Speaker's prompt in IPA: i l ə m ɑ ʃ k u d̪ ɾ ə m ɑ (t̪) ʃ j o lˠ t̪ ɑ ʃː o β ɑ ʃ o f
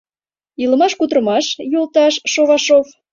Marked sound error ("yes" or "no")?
yes